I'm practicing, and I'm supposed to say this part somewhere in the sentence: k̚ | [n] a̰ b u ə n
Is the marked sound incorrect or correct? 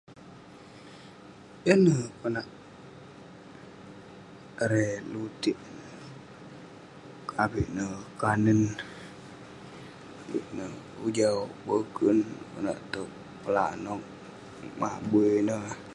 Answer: incorrect